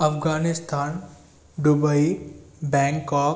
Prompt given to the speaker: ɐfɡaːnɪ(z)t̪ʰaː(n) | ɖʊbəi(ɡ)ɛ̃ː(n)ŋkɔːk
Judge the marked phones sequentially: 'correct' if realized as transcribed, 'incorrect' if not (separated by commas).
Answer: incorrect, correct, incorrect, incorrect